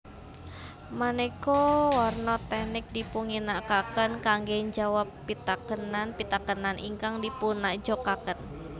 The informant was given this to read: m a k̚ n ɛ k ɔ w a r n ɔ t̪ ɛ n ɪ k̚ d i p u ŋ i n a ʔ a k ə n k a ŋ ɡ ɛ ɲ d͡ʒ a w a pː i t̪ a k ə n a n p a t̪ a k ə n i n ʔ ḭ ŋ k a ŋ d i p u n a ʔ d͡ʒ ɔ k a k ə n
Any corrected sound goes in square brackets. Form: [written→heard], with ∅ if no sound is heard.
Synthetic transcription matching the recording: m a [k̚→∅] n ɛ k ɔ w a r n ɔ t̪ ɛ n ɪ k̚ d i p u ŋ i n a [ʔ→k] a k ə n k a ŋ ɡ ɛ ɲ d͡ʒ a w a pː i t̪ a k ə n a n p [a→i] t̪ a k ə n [i→a] n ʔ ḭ ŋ k a ŋ d i p u n a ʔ d͡ʒ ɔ k a k ə n